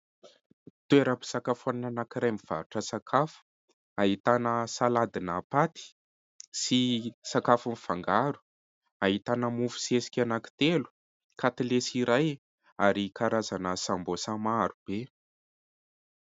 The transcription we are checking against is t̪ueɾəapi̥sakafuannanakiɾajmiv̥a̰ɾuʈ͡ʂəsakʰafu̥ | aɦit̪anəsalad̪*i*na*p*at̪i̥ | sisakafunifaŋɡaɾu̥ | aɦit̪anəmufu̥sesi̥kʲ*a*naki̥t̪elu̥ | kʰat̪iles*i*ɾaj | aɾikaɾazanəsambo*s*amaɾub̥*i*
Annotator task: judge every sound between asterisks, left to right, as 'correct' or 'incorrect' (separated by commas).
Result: correct, correct, correct, correct, correct, incorrect